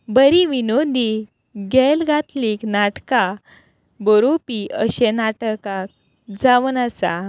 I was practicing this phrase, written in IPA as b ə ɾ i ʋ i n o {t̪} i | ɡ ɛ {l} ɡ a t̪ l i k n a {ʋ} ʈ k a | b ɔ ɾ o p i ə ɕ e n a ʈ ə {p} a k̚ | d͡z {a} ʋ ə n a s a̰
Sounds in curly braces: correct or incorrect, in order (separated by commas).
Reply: incorrect, correct, incorrect, incorrect, correct